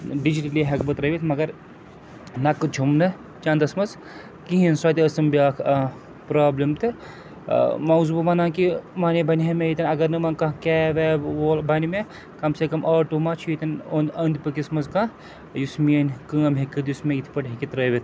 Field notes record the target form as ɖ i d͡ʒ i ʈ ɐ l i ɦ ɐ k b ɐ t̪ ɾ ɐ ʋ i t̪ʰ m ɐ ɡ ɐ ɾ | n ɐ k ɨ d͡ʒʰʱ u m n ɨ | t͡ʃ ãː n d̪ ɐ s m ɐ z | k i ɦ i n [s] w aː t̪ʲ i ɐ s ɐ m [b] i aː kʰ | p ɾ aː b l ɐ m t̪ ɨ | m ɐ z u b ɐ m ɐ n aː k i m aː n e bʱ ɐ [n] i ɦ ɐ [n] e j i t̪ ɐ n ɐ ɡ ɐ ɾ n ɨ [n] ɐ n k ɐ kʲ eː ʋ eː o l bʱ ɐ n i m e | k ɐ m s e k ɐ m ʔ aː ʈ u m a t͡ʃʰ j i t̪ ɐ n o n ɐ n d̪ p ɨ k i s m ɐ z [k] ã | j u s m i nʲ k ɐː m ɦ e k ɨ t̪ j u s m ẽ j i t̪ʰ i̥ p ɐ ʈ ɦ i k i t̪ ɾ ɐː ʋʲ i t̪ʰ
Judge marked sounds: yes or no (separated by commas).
yes, yes, yes, no, no, yes